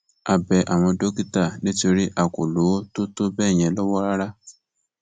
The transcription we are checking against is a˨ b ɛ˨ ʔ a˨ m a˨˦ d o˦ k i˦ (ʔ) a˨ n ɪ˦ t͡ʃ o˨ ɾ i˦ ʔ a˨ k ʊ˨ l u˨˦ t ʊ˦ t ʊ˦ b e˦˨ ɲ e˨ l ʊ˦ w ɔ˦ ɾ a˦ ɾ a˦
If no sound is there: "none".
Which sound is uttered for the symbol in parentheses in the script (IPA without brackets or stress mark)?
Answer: t